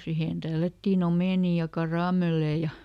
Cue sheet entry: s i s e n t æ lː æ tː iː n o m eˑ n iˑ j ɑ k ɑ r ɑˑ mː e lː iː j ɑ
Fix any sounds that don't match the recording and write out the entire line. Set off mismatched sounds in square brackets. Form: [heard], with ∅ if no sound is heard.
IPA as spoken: s i [h] e n t æ lː æ tː iː n o m eˑ n iˑ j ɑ k ɑ r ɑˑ [m] e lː [eː] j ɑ